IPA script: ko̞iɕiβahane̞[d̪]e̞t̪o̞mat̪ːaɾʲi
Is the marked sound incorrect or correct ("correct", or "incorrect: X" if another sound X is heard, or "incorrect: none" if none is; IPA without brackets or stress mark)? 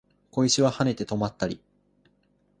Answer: incorrect: t̪